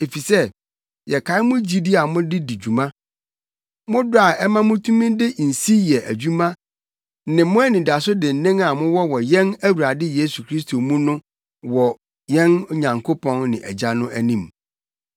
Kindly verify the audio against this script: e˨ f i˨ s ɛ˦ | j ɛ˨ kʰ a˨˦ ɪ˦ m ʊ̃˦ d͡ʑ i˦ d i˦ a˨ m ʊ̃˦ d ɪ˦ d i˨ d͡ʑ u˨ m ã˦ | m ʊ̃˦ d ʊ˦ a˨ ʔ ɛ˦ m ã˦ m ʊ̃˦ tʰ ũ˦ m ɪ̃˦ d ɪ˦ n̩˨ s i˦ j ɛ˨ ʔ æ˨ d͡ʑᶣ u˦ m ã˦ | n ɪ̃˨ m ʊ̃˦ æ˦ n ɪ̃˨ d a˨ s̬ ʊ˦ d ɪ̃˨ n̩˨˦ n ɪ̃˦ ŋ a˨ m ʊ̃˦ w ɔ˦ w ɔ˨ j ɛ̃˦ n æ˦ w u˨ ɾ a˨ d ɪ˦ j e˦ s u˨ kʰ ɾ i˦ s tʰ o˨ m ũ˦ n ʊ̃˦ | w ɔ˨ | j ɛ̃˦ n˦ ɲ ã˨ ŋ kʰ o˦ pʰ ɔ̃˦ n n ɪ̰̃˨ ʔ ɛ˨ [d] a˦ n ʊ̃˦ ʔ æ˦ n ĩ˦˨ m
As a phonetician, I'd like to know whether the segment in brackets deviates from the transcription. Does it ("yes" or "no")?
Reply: yes